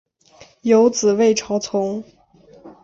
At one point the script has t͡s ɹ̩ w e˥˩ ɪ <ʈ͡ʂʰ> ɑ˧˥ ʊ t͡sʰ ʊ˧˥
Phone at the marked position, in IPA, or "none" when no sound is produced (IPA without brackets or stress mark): ʈ͡ʂʰ